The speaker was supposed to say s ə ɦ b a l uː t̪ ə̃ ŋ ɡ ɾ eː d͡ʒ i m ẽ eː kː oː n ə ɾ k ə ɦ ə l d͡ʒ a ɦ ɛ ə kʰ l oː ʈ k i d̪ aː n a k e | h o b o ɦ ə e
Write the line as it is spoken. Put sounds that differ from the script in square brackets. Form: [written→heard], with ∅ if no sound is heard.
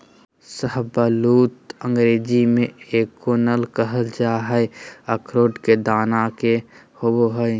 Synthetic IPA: s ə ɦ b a l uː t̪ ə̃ ŋ ɡ ɾ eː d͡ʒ i m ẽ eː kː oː n ə [ɾ→l] k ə ɦ ə l d͡ʒ a ɦ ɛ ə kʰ [l→ɾ] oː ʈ k [i→e] d̪ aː n a k e | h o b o ɦ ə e